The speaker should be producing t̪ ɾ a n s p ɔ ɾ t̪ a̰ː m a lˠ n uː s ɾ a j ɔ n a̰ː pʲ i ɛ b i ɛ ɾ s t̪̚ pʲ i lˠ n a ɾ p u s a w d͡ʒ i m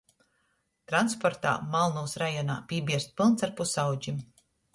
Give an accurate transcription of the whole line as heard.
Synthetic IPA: t̪ ɾ a n s p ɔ ɾ t̪ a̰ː m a lˠ n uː s ɾ a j ɔ n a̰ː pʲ i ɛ b i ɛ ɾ s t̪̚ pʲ i lˠ n a ɾ p u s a w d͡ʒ i m

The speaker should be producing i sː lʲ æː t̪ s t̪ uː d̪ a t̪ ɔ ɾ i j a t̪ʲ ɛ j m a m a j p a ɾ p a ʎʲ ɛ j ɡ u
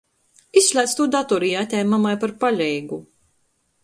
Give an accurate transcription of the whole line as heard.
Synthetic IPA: i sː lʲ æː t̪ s t̪ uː d̪ a t̪ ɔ ɾ i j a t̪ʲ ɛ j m a m a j p a ɾ p a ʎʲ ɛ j ɡ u

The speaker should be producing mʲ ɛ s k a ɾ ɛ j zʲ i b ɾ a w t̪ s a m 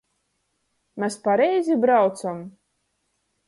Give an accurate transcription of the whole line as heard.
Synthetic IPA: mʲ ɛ s p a ɾ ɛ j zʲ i b ɾ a w t̪ s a m

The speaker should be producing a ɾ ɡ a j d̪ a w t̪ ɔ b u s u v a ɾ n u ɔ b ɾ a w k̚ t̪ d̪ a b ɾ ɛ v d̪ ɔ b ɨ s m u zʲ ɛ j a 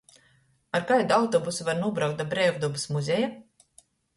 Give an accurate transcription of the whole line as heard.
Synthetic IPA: a ɾ k a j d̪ a w t̪ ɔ b u s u v a ɾ n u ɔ b ɾ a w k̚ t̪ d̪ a b ɾ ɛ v d̪ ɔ b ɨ s m u zʲ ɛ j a

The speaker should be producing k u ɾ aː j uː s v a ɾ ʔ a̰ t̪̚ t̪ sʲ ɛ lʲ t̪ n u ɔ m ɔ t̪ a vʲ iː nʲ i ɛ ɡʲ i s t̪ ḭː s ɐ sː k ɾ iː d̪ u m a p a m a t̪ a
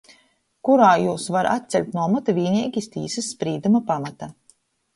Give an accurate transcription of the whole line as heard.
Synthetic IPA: k u ɾ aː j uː s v a ɾ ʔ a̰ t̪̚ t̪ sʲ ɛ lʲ t̪ n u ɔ m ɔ t̪ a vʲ iː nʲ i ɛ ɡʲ i s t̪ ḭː s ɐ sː p ɾ iː d̪ u m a p a m a t̪ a

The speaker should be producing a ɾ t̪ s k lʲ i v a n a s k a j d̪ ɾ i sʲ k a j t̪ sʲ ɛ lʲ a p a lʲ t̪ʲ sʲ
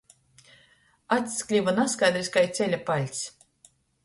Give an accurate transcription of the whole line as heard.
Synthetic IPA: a t̪ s k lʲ i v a n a s k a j d̪ ɾ i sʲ k a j t̪ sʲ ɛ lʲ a p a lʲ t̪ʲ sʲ

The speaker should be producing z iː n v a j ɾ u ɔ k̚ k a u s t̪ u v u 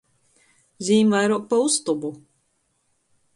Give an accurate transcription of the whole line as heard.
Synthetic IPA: z iː m v a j ɾ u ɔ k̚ p a u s t̪ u b u

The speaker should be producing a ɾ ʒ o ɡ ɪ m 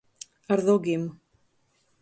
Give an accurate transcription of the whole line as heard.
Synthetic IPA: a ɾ ð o ɡ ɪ m

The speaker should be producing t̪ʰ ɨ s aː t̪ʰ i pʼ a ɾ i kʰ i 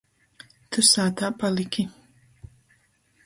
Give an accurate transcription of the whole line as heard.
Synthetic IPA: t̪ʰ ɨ s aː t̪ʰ a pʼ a l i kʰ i

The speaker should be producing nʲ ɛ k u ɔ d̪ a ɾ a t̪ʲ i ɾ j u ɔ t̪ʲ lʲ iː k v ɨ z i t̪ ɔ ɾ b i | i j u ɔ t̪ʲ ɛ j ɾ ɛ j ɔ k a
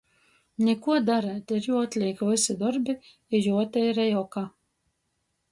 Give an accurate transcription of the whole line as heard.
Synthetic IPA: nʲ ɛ k u ɔ d̪ a ɾ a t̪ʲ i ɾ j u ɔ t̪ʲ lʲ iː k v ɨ s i d̪ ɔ ɾ b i | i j u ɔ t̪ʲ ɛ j ɾ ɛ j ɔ k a

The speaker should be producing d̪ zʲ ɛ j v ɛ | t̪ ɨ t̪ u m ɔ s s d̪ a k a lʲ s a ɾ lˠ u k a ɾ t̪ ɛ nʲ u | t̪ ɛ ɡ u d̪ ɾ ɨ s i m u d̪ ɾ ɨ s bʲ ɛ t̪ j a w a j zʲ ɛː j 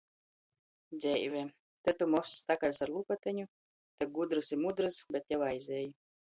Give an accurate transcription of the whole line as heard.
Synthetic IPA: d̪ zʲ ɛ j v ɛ | t̪ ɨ t̪ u m ɔ s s t̪ a k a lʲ s a ɾ lˠ u p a t̪ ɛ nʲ u | t̪ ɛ ɡ u d̪ ɾ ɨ s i m u d̪ ɾ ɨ s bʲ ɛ t̪ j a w a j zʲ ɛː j

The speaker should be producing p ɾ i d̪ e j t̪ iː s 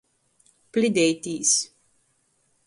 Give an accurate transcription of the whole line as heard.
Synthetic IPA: p l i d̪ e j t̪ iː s

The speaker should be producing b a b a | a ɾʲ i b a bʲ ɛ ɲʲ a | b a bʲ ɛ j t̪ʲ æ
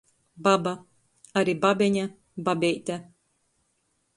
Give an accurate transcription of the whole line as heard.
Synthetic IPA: b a b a | a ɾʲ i b a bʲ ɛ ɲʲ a | b a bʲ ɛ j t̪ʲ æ

